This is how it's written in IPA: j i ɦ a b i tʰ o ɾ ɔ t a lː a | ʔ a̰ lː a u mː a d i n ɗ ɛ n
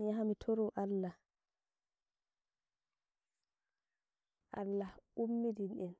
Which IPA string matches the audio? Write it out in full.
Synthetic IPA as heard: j a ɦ a m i tʰ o ɾ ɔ ʔ a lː a | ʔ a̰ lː a u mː i d i n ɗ ɛ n